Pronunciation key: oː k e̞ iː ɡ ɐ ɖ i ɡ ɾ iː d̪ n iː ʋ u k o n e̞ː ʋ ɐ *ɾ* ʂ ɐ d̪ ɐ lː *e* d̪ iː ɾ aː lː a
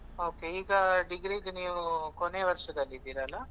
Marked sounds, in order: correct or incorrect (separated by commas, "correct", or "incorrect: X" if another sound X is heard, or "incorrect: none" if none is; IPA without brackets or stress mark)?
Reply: correct, incorrect: i